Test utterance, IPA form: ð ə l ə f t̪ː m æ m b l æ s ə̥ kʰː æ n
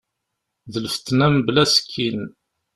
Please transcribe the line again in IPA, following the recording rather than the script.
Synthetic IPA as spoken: ð ə l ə f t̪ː n æ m b l æ s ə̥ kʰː i n